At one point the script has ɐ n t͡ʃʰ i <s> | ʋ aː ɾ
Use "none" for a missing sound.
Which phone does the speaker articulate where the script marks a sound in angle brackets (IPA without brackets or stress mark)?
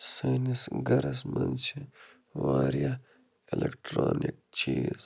none